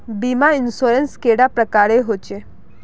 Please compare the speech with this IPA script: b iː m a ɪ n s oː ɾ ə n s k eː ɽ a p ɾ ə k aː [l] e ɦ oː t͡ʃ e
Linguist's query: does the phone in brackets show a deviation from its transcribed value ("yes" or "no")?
yes